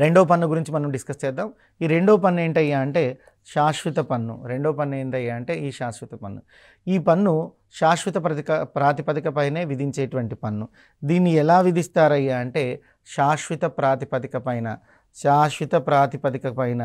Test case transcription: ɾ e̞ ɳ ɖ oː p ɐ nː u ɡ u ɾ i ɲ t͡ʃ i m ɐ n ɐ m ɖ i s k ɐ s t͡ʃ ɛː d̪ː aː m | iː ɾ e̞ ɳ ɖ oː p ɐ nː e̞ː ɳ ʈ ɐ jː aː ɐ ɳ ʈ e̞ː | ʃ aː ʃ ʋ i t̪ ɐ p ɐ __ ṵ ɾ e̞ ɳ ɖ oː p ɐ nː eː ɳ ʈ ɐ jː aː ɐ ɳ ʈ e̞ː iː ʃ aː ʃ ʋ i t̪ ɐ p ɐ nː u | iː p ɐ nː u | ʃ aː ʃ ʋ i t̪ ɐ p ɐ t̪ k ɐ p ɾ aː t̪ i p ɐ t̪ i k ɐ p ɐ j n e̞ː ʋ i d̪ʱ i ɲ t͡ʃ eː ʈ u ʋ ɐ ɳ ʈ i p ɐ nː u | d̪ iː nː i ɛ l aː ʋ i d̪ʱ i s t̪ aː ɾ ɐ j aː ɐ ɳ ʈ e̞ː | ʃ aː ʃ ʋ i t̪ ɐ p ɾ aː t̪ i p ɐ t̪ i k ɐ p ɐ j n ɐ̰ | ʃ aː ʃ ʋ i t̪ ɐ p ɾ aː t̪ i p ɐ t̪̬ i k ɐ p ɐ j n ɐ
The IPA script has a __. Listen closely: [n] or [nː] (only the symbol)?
nː